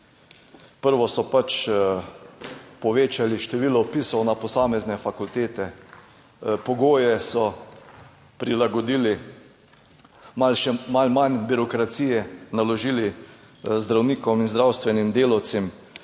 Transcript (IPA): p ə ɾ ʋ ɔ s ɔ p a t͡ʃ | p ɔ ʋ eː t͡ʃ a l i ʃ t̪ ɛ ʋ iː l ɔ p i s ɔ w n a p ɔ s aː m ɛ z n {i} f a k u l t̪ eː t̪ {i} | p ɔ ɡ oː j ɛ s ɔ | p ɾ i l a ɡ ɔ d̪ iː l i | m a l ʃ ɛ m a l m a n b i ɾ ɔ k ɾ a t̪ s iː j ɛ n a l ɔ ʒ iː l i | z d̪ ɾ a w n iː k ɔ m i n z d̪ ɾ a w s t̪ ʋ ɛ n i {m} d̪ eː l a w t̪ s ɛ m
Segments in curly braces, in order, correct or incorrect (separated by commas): incorrect, incorrect, correct